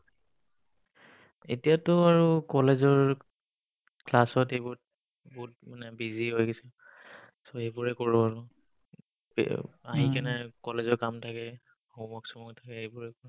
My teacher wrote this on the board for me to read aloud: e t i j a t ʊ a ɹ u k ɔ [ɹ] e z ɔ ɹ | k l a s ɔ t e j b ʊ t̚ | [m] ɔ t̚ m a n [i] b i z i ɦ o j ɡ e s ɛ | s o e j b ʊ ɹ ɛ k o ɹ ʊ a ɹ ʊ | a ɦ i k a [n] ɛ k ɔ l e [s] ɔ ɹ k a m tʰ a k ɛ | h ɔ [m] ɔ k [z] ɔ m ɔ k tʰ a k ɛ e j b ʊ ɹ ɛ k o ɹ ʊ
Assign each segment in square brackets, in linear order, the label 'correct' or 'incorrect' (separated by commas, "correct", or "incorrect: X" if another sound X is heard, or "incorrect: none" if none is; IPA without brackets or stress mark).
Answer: incorrect: l, incorrect: b, incorrect: ɛ, correct, incorrect: z, correct, incorrect: s